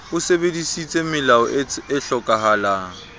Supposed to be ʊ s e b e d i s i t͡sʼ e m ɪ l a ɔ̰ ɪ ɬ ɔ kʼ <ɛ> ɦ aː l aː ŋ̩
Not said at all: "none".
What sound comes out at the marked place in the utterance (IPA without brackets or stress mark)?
a